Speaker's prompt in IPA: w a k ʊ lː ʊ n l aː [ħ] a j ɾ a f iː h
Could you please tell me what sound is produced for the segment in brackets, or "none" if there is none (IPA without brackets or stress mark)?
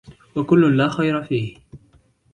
x